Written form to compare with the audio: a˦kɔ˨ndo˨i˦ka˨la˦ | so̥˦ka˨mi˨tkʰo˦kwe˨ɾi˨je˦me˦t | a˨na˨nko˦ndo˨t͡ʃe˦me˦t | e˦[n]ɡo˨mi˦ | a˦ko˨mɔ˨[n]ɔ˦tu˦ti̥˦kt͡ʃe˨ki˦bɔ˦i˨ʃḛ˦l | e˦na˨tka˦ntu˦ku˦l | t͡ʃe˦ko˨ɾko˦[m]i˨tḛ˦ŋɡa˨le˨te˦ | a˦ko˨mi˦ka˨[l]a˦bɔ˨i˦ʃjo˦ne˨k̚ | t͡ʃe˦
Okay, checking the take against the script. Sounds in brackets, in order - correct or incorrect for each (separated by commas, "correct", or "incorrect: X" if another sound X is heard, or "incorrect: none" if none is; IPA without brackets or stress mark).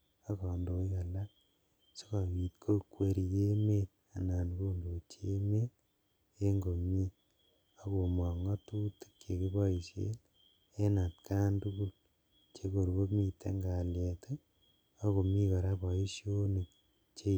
incorrect: ŋ, incorrect: ŋ, correct, incorrect: ɾ